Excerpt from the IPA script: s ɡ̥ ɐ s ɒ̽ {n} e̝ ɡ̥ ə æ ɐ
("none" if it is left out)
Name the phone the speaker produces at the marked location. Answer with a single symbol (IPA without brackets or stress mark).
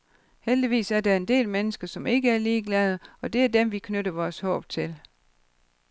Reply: m